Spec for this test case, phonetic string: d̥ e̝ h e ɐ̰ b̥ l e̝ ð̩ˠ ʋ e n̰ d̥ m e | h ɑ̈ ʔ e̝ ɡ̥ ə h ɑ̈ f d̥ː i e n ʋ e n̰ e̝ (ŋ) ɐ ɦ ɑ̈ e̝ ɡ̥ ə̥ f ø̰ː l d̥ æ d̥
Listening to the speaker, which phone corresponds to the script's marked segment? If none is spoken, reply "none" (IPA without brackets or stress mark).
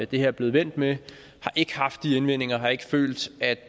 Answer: ŋ